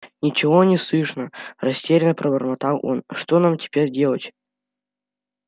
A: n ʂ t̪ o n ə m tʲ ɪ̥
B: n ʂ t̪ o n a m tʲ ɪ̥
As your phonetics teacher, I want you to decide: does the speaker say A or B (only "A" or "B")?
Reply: B